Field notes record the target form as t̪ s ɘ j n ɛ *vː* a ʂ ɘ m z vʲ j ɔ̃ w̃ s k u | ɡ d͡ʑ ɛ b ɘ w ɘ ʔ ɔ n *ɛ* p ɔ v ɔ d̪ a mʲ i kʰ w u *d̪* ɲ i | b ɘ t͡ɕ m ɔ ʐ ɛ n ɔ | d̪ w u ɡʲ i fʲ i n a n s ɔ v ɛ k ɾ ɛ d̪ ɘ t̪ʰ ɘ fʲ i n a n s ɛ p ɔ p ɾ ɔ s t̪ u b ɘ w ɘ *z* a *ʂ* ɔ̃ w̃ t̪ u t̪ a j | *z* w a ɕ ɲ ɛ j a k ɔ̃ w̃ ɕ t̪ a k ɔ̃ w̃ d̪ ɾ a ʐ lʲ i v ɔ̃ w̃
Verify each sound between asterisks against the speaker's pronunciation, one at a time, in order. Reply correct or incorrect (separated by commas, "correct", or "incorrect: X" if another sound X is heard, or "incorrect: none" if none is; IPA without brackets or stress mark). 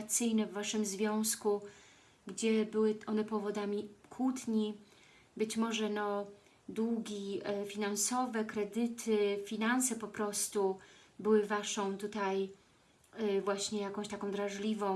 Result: correct, correct, incorrect: t̪, incorrect: v, correct, incorrect: v